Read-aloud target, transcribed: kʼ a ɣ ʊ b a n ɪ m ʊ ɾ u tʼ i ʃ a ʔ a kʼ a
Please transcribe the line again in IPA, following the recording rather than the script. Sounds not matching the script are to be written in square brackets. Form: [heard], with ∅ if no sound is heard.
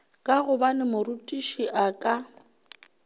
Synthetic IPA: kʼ a ɣ ʊ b a n ɪ m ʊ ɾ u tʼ i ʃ [i] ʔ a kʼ a

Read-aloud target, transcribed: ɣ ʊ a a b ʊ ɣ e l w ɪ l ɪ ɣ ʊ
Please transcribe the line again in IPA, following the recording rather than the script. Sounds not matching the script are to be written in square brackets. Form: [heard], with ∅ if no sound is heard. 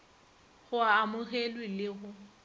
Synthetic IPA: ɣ ʊ a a [m] ʊ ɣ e l w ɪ l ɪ ɣ ʊ

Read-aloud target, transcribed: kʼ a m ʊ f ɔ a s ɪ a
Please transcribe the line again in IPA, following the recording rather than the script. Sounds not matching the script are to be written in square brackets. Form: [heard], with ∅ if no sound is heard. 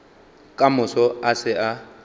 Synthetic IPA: kʼ a m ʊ [s] ɔ a s ɪ a

